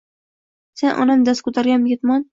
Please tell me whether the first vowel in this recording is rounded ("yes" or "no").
no